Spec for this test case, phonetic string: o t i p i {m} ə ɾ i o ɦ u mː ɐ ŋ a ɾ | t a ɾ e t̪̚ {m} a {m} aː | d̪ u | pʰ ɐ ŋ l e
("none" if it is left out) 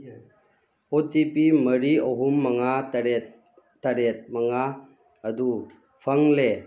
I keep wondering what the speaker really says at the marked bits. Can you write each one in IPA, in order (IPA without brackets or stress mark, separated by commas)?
m, m, ŋ